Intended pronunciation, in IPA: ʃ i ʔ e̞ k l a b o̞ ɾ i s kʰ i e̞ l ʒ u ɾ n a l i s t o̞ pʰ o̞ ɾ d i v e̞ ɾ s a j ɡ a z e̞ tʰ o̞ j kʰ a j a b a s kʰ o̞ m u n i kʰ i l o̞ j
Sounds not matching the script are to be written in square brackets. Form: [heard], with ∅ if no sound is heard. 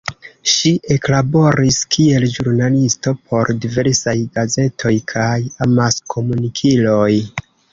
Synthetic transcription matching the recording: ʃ i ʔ e̞ k l a b o̞ ɾ i s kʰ i e̞ l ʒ u ɾ n a l i s t o̞ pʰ o̞ ɾ d i v e̞ ɾ s a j ɡ a z e̞ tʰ o̞ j kʰ a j a [m] a s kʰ o̞ m u n i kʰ i l o̞ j